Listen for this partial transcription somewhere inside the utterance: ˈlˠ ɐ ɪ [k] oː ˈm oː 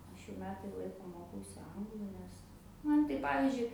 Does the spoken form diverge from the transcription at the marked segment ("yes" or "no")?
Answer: no